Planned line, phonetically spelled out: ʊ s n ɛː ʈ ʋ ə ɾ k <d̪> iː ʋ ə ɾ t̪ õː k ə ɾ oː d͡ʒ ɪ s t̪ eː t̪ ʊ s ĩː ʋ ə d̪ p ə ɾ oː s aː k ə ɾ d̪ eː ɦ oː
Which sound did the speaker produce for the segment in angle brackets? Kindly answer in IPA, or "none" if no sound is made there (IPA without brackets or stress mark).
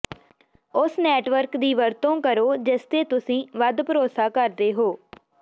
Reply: d̪